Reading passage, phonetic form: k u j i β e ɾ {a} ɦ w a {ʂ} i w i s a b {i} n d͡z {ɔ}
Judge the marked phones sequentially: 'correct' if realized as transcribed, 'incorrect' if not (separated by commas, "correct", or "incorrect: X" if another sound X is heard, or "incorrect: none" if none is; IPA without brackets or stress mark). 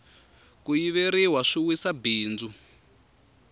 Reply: incorrect: i, correct, incorrect: iː, incorrect: u